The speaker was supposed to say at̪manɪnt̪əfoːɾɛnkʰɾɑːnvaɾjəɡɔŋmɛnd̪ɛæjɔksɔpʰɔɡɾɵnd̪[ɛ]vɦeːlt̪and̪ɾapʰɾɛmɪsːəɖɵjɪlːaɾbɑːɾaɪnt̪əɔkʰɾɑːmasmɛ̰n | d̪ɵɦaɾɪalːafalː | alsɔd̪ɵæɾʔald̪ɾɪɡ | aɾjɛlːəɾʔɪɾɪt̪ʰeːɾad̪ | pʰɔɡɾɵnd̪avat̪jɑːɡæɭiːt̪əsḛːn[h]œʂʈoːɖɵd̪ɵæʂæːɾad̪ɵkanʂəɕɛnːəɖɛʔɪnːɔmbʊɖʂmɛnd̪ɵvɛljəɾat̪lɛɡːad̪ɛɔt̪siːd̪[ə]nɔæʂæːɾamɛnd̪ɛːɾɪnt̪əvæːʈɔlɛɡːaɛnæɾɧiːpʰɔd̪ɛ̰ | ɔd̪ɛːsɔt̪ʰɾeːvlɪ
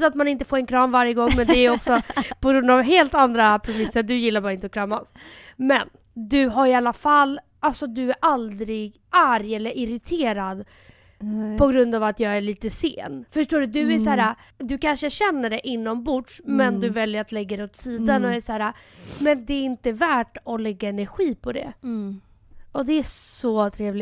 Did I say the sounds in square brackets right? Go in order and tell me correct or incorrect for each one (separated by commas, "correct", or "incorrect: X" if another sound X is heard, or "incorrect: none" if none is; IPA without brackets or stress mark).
incorrect: a, incorrect: f, incorrect: a